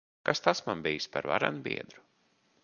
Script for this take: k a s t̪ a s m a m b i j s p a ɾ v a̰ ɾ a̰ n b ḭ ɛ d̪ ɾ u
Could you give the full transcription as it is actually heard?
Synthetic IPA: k a s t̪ a s m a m b i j s p a ɾ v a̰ ɾ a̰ n b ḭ ɛ d̪ ɾ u